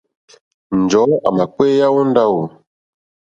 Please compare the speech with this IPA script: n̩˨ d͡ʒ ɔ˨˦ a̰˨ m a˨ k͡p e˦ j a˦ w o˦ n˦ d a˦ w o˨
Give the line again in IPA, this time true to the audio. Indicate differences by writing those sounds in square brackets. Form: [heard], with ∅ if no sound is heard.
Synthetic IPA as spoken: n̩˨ d͡ʒ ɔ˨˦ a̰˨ m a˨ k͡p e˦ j a˦ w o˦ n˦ d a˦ w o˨